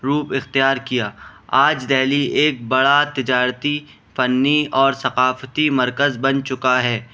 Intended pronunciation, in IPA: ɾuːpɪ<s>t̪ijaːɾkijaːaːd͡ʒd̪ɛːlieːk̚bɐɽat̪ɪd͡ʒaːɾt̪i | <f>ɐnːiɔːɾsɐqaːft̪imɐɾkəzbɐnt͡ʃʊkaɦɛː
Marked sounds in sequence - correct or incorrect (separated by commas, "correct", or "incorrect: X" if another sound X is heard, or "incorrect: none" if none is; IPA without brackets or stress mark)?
incorrect: x, correct